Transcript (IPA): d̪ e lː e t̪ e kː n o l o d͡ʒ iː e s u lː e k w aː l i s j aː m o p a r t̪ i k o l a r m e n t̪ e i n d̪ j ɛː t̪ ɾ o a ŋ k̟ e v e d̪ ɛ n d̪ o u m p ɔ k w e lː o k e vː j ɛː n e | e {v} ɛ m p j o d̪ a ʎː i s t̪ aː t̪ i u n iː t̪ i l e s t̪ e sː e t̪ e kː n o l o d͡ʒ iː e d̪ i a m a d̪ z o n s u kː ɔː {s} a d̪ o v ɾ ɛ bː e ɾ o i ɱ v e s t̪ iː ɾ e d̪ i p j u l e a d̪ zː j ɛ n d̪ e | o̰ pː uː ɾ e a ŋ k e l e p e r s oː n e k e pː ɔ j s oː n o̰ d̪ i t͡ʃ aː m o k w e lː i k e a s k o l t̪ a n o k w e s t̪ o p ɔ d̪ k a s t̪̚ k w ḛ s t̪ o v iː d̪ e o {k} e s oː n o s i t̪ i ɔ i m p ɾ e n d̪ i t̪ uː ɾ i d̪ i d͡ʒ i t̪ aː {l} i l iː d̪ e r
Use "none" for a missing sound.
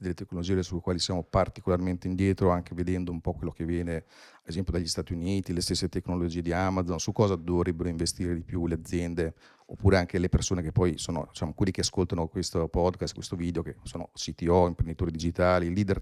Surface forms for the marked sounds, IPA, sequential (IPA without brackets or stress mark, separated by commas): z, z, k, l